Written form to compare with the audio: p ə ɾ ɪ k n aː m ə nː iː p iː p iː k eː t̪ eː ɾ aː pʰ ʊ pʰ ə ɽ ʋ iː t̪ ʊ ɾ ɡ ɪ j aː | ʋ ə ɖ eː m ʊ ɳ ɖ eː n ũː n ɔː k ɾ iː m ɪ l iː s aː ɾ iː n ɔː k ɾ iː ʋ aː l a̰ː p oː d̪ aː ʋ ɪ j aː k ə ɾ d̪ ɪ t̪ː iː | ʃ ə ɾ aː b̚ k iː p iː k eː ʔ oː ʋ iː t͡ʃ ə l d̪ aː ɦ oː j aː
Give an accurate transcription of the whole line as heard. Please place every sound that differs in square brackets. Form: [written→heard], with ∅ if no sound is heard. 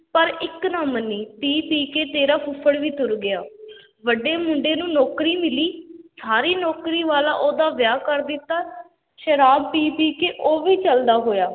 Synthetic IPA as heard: p ə ɾ ɪ k n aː m ə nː iː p iː p iː k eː t̪ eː ɾ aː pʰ ʊ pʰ ə ɽ ʋ iː t̪ ʊ ɾ ɡ ɪ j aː | ʋ ə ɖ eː m ʊ ɳ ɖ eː n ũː n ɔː k ɾ iː m ɪ l iː s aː ɾ iː n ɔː k ɾ iː ʋ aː l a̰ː [p→ʔ] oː d̪ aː ʋ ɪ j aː k ə ɾ d̪ ɪ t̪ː [iː→aː] | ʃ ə ɾ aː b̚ [k→p] iː p iː k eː ʔ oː ʋ iː t͡ʃ ə l d̪ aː ɦ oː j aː